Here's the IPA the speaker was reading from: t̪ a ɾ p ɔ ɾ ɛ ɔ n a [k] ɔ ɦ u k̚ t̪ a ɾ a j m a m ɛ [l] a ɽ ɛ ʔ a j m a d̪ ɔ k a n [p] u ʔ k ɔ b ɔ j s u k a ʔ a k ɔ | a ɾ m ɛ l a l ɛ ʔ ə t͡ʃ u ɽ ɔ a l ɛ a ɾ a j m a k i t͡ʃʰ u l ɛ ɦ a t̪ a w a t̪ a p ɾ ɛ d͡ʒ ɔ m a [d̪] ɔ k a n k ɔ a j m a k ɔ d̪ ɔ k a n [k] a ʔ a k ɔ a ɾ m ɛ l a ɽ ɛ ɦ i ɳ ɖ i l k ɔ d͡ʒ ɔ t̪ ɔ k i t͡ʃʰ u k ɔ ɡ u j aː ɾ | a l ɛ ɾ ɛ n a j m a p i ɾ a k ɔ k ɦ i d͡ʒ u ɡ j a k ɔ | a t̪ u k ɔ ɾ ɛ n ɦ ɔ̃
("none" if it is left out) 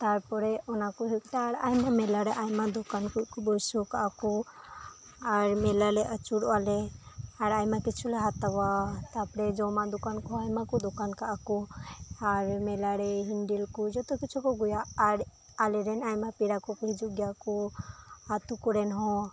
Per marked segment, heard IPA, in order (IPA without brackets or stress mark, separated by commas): k, l, k, d̪, k